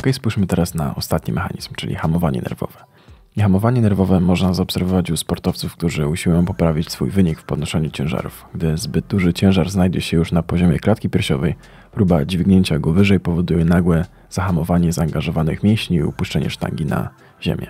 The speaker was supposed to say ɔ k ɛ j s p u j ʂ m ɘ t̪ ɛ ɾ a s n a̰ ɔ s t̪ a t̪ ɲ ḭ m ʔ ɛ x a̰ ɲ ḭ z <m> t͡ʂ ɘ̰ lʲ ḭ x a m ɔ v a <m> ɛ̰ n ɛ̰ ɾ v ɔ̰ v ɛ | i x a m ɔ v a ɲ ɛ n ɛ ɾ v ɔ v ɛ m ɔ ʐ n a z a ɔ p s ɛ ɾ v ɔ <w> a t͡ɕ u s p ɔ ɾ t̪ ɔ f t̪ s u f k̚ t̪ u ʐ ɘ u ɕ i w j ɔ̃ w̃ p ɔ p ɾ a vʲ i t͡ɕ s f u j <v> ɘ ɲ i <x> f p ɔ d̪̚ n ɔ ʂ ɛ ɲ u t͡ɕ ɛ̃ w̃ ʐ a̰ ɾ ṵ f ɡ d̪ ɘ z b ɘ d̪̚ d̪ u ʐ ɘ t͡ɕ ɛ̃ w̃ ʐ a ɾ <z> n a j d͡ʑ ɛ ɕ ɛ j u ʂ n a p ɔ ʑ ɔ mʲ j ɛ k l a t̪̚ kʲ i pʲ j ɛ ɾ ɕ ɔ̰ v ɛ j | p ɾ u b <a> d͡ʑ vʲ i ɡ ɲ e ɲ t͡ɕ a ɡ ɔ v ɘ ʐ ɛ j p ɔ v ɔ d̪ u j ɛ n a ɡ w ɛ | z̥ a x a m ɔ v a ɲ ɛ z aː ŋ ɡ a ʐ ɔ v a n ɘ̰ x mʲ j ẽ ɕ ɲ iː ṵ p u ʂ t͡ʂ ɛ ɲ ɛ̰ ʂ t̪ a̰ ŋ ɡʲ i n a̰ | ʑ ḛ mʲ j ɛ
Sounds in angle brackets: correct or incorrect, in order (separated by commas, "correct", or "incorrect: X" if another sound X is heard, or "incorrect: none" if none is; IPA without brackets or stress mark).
correct, incorrect: ɲ, incorrect: v, correct, incorrect: k, correct, correct